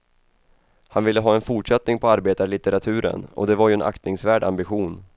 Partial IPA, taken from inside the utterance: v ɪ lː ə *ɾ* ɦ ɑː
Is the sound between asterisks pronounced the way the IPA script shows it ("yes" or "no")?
no